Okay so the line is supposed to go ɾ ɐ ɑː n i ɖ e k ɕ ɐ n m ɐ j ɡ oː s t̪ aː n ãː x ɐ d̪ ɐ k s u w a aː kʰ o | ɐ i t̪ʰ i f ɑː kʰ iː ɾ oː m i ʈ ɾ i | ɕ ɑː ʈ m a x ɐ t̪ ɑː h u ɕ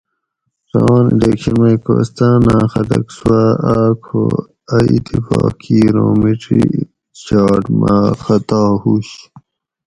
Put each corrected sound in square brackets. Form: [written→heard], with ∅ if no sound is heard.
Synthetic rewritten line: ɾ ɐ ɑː n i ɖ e k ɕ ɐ n m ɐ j [ɡ→k] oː s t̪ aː n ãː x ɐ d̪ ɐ k s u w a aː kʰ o | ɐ i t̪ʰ i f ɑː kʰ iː ɾ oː m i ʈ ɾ i | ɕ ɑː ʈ m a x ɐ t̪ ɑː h u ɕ